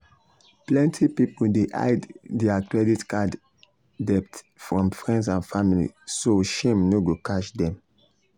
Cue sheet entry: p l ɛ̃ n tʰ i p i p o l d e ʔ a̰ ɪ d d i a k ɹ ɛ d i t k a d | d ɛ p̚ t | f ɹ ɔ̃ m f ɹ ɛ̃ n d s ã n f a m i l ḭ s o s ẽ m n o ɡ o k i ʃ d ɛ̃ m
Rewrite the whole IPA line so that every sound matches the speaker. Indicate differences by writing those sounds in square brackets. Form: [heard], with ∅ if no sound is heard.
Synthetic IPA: p l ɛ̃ n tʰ i p i p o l d e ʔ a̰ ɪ d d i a k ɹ ɛ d i t k a d | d ɛ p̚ t | f ɹ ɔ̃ m f ɹ ɛ̃ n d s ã n f a m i l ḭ s o [ʃ] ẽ m n o ɡ o k [a] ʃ d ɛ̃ m